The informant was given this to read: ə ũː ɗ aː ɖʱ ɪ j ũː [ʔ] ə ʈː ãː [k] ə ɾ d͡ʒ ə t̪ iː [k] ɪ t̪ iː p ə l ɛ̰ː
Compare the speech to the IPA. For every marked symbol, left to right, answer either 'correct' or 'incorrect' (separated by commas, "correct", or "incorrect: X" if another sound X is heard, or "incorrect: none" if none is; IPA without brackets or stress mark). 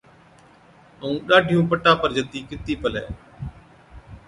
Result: incorrect: p, incorrect: p, correct